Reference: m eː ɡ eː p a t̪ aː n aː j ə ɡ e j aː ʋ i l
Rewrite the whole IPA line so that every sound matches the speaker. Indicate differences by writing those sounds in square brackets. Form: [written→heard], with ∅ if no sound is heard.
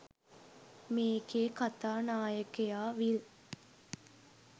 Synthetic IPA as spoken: m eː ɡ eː [p→k] a t̪ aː n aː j ə [ɡ→k] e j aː ʋ i l